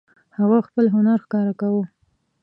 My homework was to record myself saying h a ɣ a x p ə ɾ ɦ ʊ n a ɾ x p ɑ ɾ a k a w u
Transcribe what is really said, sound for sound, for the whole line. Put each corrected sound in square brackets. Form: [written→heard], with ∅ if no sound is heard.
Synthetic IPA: h a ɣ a x p ə [ɾ→l] ɦ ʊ n a ɾ x [p→k] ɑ ɾ a k a w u